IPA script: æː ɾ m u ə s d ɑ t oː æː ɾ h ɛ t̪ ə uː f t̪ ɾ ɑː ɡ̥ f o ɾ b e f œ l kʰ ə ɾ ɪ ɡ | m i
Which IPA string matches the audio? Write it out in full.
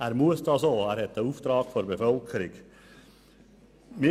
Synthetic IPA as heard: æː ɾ m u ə s d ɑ s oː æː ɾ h ɛ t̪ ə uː f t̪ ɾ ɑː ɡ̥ f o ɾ b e f œ l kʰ ə ɾ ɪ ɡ | m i